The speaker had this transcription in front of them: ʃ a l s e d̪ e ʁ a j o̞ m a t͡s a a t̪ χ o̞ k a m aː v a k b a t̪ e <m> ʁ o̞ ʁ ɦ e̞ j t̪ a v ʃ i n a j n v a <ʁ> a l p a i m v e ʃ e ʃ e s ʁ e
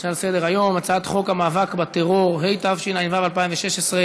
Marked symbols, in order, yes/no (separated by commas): no, no